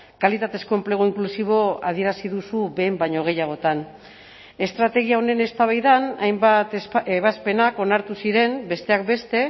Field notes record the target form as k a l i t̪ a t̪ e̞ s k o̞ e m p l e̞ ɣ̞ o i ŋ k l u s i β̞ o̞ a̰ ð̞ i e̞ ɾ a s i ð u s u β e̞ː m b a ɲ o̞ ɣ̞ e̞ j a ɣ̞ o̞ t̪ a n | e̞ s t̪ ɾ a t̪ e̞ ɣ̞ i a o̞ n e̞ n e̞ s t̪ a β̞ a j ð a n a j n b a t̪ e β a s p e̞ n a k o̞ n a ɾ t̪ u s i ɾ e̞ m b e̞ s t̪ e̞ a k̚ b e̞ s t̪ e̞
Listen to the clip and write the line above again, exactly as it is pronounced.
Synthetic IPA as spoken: k a l i t̪ a t̪ e̞ s k o̞ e m p l e̞ ɣ̞ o i ŋ k l u s i β̞ o̞ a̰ ð̞ i e̞ ɾ a s i ð u s u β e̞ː m b a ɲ o̞ ɣ̞ e̞ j a ɣ̞ o̞ t̪ a n | e̞ s t̪ ɾ a t̪ e̞ ɣ̞ i a o̞ n e̞ n e̞ s t̪ a β̞ a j ð a n a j m b a t̪ e β a s p e̞ n a k o̞ n a ɾ t̪ u s i ɾ e̞ m b e̞ s t̪ e̞ a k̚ b e̞ s t̪ e̞